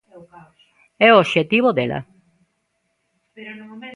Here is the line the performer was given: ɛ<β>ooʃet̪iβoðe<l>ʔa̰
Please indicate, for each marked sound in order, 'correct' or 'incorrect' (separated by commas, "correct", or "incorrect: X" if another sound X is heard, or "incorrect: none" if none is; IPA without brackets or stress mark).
incorrect: none, correct